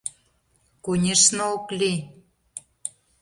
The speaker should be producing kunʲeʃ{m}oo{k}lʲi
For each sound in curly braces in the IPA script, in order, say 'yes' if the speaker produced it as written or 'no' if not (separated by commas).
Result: no, yes